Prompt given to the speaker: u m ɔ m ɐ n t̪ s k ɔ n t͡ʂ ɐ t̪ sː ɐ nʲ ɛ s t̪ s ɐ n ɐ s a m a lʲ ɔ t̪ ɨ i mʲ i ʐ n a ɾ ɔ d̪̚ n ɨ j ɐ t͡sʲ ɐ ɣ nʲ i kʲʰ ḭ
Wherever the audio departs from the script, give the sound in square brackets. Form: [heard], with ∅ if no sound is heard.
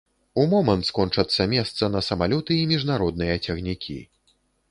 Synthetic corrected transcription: u m ɔ m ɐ n t̪ s k ɔ n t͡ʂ ɐ t̪ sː ɐ [mʲ] ɛ s t̪ s ɐ n ɐ s [ɐ] m a lʲ ɔ t̪ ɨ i mʲ i ʐ n a ɾ ɔ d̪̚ n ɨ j ɐ t͡sʲ ɐ ɣ nʲ i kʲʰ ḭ